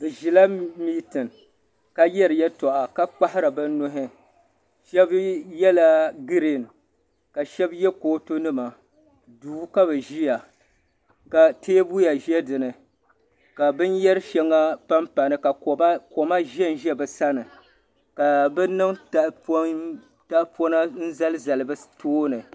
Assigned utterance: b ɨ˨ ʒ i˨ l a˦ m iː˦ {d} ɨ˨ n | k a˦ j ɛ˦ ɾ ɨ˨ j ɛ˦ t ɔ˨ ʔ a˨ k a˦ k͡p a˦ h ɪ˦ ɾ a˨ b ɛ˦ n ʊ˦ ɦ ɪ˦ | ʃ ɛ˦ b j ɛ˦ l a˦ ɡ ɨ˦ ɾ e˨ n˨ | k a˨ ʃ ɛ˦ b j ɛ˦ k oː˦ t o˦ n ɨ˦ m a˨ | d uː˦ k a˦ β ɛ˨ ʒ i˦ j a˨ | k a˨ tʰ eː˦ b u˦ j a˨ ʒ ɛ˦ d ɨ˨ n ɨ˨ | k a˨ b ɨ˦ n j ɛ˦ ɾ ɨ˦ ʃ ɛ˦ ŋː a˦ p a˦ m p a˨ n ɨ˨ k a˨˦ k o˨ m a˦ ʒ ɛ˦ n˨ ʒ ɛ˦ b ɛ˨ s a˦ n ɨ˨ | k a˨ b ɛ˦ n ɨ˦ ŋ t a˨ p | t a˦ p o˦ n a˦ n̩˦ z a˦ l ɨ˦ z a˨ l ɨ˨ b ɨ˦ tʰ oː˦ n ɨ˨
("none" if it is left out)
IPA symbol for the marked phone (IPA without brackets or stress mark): t